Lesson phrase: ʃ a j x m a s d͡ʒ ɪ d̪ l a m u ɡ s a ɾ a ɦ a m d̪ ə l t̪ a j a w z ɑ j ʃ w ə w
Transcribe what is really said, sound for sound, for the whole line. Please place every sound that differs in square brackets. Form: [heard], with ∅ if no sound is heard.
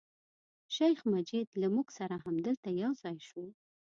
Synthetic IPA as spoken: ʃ a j x m a [∅] d͡ʒ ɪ d̪ l a m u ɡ s a ɾ a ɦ a m d̪ ə l t̪ a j a w z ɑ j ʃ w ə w